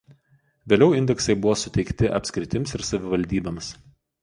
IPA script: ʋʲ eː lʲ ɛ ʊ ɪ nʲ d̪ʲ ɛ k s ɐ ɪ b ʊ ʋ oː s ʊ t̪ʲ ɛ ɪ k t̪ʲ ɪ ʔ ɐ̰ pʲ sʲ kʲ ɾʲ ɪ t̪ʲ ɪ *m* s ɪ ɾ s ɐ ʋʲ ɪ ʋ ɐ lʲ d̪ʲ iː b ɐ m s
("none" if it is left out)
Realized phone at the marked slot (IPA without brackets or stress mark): m